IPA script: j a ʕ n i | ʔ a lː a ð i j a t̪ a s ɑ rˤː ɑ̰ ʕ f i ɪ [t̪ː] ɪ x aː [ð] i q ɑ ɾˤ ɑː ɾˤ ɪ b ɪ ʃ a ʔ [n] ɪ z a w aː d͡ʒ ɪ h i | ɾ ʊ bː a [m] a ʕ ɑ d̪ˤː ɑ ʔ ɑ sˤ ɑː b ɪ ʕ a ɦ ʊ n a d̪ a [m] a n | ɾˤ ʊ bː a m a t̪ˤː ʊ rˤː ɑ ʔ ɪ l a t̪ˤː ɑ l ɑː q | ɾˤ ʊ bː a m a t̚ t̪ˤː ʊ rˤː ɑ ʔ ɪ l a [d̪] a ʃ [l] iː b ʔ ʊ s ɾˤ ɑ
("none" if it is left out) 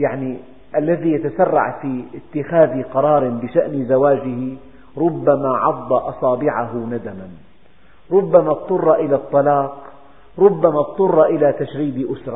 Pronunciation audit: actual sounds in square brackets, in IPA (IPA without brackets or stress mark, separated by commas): t̪ː, ð, n, m, m, t̪, ɾ